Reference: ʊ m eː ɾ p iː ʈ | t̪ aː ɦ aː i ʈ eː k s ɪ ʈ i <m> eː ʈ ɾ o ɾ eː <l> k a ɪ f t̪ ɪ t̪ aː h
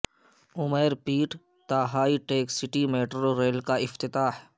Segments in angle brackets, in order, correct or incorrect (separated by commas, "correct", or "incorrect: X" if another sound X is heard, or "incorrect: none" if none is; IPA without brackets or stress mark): correct, correct